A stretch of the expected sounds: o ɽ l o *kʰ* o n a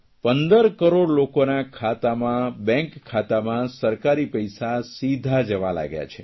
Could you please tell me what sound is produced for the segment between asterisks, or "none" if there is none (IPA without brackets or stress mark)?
k